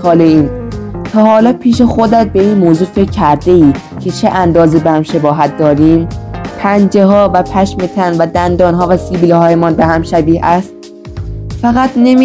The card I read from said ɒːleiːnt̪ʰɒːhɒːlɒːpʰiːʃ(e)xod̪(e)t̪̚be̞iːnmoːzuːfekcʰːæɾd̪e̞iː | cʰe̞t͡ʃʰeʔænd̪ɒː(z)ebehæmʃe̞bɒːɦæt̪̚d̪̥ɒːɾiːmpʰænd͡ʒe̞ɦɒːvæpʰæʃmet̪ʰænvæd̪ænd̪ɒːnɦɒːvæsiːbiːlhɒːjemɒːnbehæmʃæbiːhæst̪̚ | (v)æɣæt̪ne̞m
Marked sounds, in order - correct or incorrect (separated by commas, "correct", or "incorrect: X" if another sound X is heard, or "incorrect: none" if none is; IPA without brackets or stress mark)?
correct, incorrect: æ, correct, incorrect: f